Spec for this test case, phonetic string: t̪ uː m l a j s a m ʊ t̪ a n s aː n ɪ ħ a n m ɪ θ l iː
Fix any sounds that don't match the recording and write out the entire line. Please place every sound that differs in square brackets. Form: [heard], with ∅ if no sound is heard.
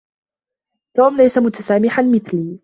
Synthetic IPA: t̪ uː m l a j s a m ʊ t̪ a [∅] s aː [m] ɪ ħ a n m ɪ θ l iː